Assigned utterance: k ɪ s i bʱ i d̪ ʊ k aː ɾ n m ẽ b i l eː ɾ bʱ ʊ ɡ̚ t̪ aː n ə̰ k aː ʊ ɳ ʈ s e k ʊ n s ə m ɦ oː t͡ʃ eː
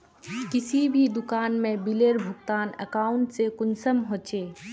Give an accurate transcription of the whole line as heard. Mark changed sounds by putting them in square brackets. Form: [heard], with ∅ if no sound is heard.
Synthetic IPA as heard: k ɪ s i bʱ i d̪ ʊ k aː [∅] n m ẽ b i l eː ɾ bʱ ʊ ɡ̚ t̪ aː n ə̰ k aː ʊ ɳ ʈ s e k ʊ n s ə m ɦ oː t͡ʃ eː